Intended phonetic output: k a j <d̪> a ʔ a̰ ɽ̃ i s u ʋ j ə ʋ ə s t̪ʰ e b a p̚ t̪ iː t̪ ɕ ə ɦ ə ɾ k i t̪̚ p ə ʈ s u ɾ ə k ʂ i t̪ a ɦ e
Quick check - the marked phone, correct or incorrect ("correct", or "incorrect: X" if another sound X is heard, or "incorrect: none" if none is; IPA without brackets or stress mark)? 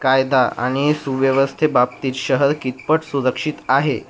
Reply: correct